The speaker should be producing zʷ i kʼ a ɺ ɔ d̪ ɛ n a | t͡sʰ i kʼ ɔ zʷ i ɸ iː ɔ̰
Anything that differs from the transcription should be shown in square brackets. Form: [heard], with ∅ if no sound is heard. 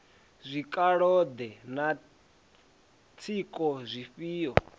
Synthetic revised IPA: zʷ i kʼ a ɺ ɔ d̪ ɛ n a | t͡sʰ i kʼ ɔ zʷ i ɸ iː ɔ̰